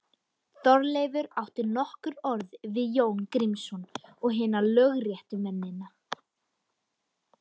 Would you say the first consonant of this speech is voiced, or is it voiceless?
voiceless